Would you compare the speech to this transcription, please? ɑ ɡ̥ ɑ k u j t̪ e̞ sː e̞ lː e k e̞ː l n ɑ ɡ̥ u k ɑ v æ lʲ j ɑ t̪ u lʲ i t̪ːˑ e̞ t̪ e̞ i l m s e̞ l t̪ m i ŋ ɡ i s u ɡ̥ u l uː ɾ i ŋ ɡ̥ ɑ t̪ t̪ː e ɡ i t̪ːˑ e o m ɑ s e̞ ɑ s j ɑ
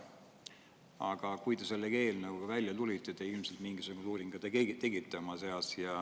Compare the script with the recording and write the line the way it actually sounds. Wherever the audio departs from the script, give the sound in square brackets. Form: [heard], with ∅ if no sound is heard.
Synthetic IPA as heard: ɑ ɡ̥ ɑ k u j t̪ e̞ [s] e̞ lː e k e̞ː l n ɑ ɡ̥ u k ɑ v æ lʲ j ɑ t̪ u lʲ i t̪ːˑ e̞ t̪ e̞ i l m s e̞ l t̪ m i ŋ ɡ i s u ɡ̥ u l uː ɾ i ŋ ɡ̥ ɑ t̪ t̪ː e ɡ i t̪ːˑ e o m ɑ s e̞ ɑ s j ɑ